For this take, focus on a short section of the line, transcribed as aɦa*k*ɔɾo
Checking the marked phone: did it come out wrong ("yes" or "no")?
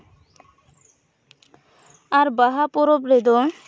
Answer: yes